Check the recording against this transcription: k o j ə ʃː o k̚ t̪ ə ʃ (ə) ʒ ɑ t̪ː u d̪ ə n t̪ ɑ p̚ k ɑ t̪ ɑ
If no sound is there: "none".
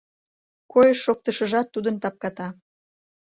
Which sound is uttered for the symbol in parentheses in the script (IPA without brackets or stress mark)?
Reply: ə